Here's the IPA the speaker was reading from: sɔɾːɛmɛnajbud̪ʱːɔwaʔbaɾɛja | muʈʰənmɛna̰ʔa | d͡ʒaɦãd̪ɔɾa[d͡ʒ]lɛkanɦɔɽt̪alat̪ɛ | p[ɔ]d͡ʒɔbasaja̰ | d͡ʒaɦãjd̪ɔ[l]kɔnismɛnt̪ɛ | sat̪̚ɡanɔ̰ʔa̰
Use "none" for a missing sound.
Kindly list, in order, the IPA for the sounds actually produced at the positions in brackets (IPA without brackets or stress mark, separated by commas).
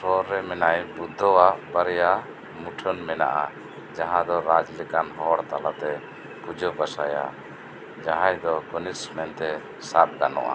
d͡ʒ, u, none